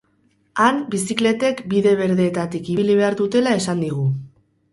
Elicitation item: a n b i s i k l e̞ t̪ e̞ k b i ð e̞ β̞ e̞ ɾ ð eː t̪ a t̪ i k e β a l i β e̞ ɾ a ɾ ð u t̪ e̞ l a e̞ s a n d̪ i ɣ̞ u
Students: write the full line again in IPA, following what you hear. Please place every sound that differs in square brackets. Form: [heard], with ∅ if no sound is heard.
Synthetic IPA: a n b i s i k l e̞ t̪ e̞ k b i ð e̞ β̞ e̞ ɾ ð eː t̪ a t̪ i k [i] β [i] l i β e̞ [∅] a ɾ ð u t̪ e̞ l a e̞ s a n d̪ i ɣ̞ u